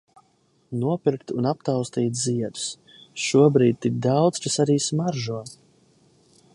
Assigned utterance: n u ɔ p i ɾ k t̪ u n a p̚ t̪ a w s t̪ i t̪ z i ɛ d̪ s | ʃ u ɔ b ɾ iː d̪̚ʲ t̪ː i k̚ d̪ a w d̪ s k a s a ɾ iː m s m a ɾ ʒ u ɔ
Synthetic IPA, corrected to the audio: n u ɔ p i ɾ k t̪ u n a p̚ t̪ a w s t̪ iː t̪ z i ɛ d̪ s | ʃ u ɔ b ɾ iː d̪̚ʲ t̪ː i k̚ d̪ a w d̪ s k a s a ɾ iː s m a ɾ ʒ u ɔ